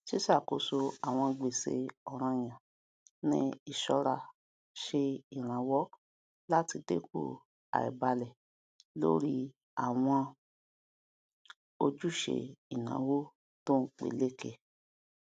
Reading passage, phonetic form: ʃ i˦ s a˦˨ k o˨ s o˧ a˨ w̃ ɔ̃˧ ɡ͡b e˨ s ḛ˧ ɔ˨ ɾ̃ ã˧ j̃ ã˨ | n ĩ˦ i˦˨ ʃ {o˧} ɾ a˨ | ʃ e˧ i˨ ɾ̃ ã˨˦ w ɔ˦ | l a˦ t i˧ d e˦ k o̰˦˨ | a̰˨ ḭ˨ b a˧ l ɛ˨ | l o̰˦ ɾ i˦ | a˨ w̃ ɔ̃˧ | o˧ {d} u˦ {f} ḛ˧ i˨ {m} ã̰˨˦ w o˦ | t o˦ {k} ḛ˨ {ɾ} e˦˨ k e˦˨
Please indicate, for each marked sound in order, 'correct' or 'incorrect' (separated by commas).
incorrect, incorrect, incorrect, incorrect, incorrect, incorrect